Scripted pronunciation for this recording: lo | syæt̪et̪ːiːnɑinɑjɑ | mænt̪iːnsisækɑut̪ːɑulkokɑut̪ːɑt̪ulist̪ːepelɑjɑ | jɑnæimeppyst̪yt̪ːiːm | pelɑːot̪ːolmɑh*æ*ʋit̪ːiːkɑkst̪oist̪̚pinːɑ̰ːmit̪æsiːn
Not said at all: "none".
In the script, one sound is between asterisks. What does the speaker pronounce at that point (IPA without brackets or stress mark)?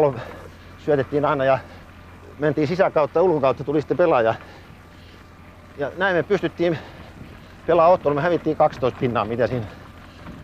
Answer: æ